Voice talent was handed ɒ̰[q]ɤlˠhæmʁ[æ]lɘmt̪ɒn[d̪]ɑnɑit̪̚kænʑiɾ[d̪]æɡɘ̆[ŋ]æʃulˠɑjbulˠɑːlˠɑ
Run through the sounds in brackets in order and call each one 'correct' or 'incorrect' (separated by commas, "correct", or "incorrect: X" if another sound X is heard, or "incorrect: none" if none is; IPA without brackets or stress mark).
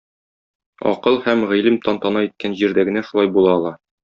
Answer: correct, incorrect: i, incorrect: t̪, correct, incorrect: n